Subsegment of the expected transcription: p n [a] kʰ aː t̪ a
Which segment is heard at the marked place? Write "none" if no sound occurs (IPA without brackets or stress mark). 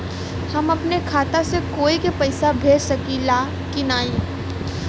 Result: e